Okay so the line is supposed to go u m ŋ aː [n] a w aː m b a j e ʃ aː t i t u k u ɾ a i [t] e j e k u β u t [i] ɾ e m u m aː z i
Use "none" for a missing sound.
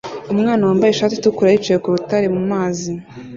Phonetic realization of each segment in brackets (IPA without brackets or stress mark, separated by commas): n, t͡ʃ, a